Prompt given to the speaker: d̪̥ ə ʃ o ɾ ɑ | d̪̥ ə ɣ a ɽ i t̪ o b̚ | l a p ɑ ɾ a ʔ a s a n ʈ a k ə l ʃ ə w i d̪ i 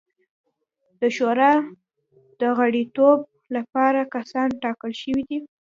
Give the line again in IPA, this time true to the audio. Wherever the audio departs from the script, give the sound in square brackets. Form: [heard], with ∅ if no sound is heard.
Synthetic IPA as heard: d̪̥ ə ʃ o ɾ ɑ | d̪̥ ə ɣ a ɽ i t̪ o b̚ | l a p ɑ ɾ a [k] a s [ɑ] n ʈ [ɑ] k ə l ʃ ə w i d̪ i